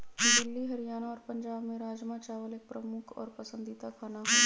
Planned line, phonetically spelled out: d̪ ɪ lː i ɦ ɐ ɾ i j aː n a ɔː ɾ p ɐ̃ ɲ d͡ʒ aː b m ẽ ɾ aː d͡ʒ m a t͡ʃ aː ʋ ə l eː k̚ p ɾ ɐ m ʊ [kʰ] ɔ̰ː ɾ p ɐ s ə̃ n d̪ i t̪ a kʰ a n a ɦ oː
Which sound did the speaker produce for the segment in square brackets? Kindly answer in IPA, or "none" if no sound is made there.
kʰ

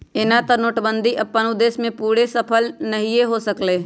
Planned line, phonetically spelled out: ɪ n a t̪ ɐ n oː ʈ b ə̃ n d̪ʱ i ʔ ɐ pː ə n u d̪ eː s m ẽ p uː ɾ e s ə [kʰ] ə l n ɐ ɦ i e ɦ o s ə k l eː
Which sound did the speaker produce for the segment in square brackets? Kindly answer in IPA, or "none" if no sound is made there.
pʰ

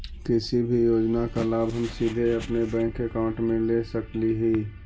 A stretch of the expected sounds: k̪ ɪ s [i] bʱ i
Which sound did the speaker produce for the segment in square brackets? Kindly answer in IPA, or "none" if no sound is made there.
i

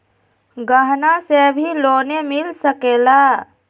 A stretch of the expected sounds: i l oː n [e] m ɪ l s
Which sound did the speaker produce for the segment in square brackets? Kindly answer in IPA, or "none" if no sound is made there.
e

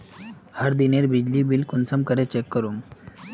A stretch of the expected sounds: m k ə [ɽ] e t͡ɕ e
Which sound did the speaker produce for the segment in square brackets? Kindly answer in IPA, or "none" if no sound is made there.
ɾ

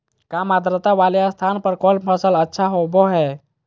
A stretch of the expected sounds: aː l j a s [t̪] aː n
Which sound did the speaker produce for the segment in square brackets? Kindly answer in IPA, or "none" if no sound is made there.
t̪ʰ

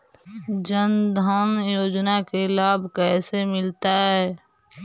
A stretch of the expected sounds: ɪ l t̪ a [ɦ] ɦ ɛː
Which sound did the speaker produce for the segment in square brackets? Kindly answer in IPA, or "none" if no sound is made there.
ɦ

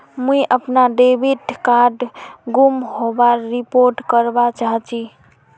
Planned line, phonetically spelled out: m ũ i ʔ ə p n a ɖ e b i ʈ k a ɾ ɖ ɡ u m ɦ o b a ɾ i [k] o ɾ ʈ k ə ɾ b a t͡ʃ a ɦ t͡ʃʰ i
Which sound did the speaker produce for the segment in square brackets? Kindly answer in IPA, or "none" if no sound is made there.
p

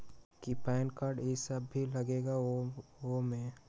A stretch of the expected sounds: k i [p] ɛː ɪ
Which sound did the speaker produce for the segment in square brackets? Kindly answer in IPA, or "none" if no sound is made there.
p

